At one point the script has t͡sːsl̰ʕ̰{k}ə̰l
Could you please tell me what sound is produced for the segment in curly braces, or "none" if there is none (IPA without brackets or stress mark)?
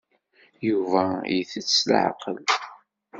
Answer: q